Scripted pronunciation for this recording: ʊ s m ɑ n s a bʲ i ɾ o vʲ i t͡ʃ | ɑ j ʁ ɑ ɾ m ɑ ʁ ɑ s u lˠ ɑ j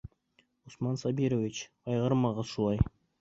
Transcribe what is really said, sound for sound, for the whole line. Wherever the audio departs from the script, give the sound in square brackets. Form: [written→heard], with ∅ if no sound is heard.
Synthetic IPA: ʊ s m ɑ n s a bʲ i ɾ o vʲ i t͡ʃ | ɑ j ʁ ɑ ɾ m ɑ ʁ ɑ [s→ʃ] u lˠ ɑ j